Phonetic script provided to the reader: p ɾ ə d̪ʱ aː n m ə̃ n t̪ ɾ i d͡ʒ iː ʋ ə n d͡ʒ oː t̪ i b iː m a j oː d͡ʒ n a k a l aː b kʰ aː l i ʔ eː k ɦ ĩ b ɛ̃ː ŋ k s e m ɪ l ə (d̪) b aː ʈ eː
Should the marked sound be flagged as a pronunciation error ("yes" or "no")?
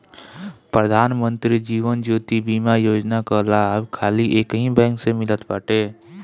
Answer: yes